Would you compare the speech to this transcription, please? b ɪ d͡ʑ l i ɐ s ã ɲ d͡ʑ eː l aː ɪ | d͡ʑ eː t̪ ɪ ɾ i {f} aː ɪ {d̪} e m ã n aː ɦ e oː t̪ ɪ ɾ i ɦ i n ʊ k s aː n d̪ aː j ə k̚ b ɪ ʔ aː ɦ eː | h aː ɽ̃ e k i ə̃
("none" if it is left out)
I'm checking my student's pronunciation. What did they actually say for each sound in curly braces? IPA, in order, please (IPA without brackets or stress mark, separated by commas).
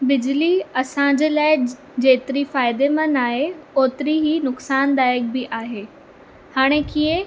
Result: f, d̪